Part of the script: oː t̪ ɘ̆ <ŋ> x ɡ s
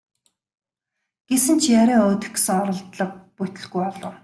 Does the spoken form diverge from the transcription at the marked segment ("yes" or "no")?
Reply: yes